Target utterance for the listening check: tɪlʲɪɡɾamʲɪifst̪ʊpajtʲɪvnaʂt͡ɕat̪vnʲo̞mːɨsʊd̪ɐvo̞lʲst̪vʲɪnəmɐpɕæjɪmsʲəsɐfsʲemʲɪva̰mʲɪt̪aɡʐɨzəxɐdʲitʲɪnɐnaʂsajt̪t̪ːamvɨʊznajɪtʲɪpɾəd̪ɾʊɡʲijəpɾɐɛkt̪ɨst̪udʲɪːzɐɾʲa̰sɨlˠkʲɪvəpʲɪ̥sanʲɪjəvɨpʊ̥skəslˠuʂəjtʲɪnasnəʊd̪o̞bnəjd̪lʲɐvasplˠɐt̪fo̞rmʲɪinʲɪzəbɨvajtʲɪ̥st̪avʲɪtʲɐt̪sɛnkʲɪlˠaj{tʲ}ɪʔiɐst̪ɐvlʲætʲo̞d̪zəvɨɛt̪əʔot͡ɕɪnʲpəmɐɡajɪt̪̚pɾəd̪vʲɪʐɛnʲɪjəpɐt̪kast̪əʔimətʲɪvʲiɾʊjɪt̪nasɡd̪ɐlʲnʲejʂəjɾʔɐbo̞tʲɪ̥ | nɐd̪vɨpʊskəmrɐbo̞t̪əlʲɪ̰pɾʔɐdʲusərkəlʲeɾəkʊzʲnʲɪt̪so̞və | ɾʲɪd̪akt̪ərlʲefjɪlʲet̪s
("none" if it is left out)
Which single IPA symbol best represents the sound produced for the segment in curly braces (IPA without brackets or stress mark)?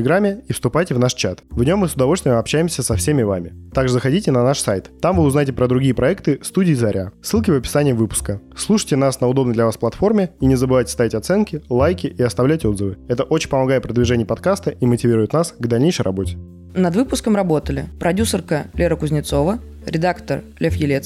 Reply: kʲ